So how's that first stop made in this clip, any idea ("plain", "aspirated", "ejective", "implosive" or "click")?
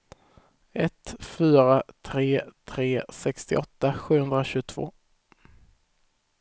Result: plain